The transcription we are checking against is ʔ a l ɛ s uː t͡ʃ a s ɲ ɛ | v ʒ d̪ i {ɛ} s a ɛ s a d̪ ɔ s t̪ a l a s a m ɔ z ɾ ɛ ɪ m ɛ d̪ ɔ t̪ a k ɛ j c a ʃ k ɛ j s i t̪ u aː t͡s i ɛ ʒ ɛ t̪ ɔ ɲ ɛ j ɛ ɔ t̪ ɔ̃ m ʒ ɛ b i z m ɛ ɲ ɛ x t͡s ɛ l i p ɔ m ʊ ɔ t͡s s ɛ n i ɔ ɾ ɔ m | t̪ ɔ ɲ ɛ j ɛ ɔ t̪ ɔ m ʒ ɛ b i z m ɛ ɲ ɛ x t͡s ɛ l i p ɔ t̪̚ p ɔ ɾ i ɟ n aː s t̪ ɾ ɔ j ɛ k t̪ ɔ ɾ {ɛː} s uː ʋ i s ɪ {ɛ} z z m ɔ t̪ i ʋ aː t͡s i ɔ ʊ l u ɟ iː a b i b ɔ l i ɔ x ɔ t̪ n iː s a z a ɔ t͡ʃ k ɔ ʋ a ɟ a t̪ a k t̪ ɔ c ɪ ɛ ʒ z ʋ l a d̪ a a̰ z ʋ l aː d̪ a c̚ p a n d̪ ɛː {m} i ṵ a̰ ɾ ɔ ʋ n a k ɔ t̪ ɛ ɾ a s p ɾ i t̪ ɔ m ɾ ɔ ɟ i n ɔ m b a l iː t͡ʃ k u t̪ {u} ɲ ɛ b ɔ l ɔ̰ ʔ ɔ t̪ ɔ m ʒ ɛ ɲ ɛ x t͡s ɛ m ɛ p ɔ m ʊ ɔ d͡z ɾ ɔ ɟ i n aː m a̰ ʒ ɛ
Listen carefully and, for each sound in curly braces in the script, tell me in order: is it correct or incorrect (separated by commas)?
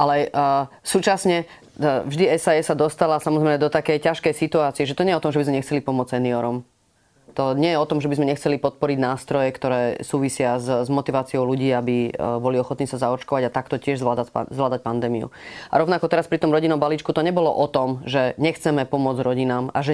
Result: correct, correct, incorrect, correct, incorrect